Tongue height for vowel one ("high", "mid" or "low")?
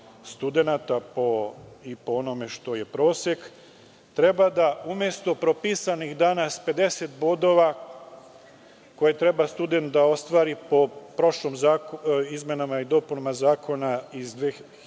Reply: high